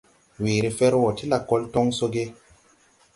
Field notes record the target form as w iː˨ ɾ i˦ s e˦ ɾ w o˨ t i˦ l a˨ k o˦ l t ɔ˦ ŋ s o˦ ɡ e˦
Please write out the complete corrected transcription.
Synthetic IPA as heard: w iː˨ ɾ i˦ f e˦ ɾ w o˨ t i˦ l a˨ k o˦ l t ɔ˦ ŋ s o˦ ɡ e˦